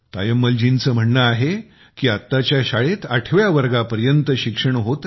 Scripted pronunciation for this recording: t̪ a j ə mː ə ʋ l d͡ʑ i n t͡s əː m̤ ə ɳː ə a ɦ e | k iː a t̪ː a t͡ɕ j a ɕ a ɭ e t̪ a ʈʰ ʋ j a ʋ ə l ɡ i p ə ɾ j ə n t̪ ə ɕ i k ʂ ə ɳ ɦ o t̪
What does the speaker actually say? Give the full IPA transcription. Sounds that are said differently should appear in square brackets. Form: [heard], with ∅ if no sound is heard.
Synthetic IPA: t̪ a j ə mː ə [∅] l d͡ʑ i n t͡s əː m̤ ə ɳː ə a ɦ e | k iː a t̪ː a t͡ɕ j a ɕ a ɭ e t̪ a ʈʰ ʋ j a ʋ ə [ɾ] ɡ [a] p ə ɾ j ə n t̪ ə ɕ i k ʂ ə ɳ ɦ o t̪